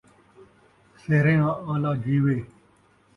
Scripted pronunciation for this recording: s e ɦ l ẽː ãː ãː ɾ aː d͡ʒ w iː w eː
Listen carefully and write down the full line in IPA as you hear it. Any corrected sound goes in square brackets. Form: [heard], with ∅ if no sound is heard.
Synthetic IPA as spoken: s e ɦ [ɾ] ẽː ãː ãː [l] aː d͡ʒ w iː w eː